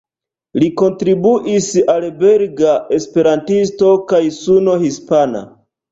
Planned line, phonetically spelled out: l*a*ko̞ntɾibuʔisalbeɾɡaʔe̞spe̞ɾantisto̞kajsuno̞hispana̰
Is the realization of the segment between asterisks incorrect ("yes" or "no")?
yes